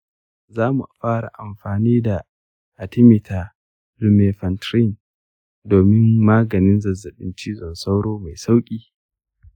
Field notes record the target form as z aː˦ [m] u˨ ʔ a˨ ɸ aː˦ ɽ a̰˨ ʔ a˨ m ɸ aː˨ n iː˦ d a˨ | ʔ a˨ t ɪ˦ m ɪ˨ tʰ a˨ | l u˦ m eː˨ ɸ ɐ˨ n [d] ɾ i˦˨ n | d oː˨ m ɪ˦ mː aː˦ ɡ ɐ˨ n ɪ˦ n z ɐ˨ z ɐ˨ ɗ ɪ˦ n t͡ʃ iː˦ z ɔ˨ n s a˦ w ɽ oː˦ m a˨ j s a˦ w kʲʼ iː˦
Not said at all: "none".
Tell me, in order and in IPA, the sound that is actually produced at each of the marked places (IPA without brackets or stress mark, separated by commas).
m, t